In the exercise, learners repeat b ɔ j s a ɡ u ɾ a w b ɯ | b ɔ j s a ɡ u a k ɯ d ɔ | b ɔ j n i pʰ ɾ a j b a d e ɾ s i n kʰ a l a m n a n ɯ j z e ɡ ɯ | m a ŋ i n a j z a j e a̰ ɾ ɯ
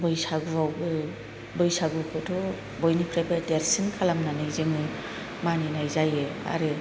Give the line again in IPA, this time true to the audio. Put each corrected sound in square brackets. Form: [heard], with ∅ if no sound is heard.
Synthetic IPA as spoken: b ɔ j s a ɡ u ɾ a w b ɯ | b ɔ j s a ɡ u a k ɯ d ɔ | b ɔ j n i pʰ ɾ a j b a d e ɾ s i n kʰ a l a m n a n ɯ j z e [ŋ] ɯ | m a [n] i n a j z a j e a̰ ɾ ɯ

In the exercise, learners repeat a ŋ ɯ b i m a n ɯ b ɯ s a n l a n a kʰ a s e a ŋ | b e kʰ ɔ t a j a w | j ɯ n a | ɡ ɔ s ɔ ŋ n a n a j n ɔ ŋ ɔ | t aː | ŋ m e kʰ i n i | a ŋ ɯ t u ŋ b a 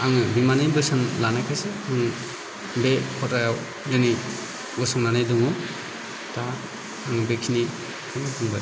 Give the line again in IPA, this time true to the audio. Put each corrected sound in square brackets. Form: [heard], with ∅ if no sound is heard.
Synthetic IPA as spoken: a ŋ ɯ b i m a n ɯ b ɯ s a n l a n a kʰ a s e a ŋ | b e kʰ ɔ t a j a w | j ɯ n [i] | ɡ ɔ s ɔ ŋ n a n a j [d] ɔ ŋ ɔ | t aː | ŋ [b] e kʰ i n i | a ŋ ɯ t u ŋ b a

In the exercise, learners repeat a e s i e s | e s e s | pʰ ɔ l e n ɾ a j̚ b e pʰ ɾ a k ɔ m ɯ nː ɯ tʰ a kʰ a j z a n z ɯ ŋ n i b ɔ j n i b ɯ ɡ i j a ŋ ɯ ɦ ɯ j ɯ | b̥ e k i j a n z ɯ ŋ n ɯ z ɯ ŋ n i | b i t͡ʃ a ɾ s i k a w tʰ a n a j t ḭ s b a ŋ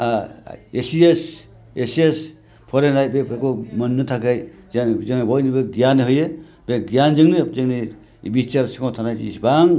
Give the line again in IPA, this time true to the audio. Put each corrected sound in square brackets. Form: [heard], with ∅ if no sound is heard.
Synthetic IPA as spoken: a e s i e s | e s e s | pʰ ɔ [ɾ] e n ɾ a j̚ b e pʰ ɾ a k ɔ m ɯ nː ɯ tʰ a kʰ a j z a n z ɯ ŋ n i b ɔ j n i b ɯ ɡ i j a [n] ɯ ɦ ɯ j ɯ | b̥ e [ɡ] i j a n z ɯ ŋ n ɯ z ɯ ŋ n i | b i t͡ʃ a ɾ s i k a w tʰ a n a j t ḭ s b a ŋ

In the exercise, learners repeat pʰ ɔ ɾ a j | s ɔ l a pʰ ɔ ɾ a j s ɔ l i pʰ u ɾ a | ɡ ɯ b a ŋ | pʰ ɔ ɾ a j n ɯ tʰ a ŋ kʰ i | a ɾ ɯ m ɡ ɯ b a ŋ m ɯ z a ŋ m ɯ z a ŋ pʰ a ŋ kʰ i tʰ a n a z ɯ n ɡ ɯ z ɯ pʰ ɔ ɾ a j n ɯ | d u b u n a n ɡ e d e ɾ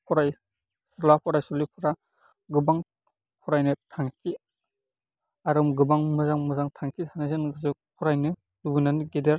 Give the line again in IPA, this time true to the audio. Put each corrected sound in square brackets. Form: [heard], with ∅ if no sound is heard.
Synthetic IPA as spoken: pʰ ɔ ɾ a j | s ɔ l a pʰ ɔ ɾ a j s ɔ l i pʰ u ɾ a | ɡ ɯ b a ŋ | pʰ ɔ ɾ a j n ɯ tʰ a ŋ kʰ i | a ɾ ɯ m ɡ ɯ b a ŋ m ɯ z a ŋ m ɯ z a ŋ [tʰ] a ŋ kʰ i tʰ a n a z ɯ n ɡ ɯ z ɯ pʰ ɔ ɾ a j n ɯ | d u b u n a n ɡ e d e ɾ

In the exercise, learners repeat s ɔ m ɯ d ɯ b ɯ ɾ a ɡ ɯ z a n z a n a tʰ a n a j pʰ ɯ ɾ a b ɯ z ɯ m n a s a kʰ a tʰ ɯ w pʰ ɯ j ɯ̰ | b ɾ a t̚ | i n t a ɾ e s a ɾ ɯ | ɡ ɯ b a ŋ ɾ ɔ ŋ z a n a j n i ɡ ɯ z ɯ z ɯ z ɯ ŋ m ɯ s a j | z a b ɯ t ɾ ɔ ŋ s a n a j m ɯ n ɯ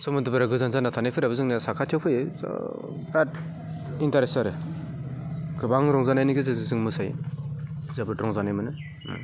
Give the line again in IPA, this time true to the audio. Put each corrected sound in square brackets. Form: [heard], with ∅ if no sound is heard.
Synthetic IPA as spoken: s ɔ m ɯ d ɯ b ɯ ɾ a ɡ ɯ z a n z a n a tʰ a n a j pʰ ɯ ɾ a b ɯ z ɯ [ŋ] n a s a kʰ a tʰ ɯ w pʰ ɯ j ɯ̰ | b ɾ a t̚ | i n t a ɾ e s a ɾ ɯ | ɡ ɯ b a ŋ ɾ ɔ ŋ z a n a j n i ɡ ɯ z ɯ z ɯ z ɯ ŋ m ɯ s a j | z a b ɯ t ɾ ɔ ŋ [z] a n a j m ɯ n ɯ

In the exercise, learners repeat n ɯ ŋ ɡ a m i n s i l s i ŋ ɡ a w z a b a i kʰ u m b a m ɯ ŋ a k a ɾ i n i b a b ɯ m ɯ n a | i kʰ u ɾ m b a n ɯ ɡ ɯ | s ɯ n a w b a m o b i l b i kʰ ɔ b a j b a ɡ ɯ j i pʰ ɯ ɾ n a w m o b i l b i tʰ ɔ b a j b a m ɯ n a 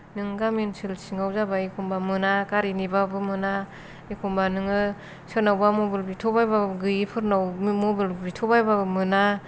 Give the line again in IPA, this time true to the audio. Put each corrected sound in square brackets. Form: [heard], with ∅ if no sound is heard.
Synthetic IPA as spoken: n ɯ ŋ ɡ a m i n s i l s i ŋ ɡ a w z a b a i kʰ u m b a m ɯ [n] a k a ɾ i n i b a b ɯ m ɯ n a | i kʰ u [∅] m b a n ɯ [ŋ] ɯ | s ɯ n a w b a m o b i l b i [tʰ] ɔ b a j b a ɡ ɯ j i pʰ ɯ ɾ n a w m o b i l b i tʰ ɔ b a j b a m ɯ n a

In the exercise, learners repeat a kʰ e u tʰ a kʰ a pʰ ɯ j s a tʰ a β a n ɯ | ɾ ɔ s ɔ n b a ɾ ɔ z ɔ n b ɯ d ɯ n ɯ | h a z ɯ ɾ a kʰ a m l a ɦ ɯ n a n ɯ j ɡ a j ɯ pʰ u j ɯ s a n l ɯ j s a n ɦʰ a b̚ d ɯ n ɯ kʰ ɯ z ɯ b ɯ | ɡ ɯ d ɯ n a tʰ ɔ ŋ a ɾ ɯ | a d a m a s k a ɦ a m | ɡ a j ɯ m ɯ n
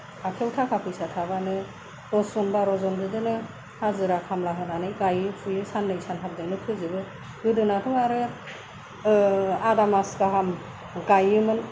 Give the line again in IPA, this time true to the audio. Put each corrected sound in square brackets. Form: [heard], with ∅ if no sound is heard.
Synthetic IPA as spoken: a kʰ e [w] tʰ a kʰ a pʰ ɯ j s a tʰ a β a n ɯ | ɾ ɔ s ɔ n b a ɾ ɔ z ɔ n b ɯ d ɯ n ɯ | h a z ɯ ɾ a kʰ a m l a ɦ ɯ n a n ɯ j ɡ a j ɯ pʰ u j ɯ s a n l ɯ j s a n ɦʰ a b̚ d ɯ n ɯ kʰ ɯ z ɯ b ɯ | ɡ ɯ d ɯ n a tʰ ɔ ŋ a ɾ ɯ | a d a m a s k a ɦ a m | ɡ a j ɯ m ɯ n

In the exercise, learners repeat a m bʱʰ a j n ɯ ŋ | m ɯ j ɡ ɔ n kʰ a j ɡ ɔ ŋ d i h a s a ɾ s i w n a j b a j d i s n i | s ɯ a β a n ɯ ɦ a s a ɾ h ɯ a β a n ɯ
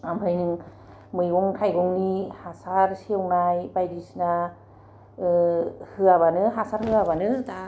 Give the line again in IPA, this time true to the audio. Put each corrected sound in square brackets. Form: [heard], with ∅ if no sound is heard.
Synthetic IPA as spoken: a m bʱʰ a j n ɯ ŋ | m ɯ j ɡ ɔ [ŋ] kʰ a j ɡ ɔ ŋ [n] i h a s a ɾ s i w n a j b a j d i s n [a] | [h] ɯ a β a n ɯ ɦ a s a ɾ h ɯ a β a n ɯ

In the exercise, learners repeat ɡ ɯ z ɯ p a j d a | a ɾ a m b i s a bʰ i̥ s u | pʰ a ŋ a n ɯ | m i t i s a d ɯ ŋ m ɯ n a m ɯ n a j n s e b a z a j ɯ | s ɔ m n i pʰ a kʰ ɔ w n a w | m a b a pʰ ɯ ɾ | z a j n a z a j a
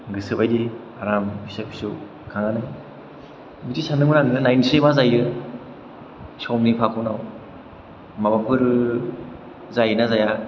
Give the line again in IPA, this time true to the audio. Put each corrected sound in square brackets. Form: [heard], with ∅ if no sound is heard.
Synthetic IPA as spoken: ɡ ɯ [s] ɯ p a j d [i] | a ɾ a m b i s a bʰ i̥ s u | [kʰ] a ŋ a n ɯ | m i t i s a [n] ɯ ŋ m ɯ n a [ŋ] ɯ n a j n s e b a z a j ɯ | s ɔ m n i pʰ a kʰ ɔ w n a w | m a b a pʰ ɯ ɾ | z a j n a z a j a

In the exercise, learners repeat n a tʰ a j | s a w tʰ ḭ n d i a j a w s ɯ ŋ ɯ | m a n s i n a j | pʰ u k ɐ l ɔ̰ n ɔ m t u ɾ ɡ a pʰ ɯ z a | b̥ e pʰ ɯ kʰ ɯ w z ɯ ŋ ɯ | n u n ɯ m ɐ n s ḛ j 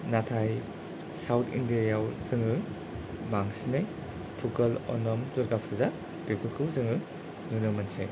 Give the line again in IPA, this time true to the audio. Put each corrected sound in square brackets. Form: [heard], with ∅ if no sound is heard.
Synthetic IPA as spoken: n a tʰ a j | s a w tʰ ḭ n d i a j a w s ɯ ŋ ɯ | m a [ŋ] s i n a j | pʰ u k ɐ l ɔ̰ n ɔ m t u ɾ ɡ a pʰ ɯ z a | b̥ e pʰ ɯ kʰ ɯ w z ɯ ŋ ɯ | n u n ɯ m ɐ n s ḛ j

